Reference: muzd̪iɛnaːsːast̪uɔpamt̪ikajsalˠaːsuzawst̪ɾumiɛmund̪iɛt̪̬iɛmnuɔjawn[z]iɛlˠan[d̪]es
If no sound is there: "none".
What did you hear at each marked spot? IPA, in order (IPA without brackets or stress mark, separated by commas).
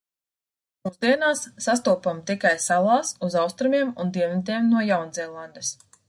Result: z, d̪